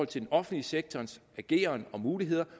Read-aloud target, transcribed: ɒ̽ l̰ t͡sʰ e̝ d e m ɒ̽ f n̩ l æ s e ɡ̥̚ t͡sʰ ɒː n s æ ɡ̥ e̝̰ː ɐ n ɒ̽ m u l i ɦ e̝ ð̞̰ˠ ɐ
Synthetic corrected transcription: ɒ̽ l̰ t͡sʰ e̝ d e n ɒ̽ f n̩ l i s e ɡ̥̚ t͡sʰ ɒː n s æ ɡ̥ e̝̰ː ɐ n ɒ̽ m uː l i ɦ e̝ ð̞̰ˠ ɐ